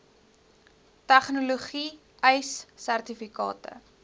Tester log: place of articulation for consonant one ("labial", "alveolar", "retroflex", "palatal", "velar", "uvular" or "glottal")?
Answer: alveolar